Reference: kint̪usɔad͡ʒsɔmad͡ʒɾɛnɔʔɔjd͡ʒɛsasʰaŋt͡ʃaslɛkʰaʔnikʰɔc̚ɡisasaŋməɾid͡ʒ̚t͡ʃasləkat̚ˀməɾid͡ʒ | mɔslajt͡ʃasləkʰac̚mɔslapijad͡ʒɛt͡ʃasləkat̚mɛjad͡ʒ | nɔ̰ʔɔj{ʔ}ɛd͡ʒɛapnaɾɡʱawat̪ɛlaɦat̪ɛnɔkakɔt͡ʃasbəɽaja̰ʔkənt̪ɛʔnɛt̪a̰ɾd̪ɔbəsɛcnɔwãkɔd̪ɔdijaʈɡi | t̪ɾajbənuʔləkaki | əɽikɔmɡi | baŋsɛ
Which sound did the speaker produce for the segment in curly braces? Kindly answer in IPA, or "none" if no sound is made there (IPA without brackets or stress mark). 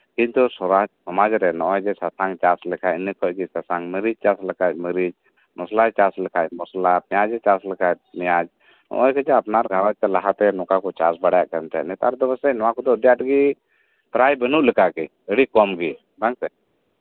k